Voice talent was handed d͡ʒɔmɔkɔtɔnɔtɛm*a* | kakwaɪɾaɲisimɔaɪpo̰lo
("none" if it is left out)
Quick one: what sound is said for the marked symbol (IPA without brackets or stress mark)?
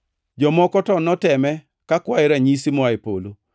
ɛ